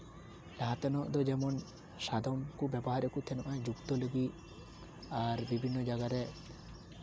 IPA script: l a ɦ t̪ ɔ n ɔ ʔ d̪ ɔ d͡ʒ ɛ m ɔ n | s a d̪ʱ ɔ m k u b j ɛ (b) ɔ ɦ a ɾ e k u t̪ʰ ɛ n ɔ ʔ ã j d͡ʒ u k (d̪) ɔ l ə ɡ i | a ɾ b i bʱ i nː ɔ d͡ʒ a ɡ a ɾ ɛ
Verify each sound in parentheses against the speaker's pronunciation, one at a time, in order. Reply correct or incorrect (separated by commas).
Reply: correct, incorrect